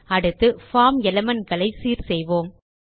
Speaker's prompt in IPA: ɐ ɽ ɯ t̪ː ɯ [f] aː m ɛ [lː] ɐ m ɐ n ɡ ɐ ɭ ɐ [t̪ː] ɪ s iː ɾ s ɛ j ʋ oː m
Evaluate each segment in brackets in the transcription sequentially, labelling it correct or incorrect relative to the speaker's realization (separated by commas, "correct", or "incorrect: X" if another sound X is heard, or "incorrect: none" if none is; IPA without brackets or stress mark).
correct, incorrect: l, incorrect: none